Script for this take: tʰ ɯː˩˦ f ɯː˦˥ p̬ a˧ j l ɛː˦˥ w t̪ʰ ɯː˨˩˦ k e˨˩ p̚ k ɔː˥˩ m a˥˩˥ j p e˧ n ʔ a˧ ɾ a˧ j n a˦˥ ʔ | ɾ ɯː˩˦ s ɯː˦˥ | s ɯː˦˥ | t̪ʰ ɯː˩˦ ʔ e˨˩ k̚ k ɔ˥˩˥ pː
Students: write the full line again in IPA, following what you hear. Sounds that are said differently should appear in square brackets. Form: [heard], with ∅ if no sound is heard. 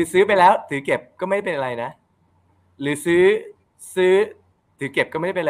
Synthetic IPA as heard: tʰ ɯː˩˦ [s] ɯː˦˥ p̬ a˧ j l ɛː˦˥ w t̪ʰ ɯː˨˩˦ k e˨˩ p̚ k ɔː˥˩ m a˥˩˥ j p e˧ n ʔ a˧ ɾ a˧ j n a˦˥ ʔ | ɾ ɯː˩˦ s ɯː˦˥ | s ɯː˦˥ | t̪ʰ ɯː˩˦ [k] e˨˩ [p̚] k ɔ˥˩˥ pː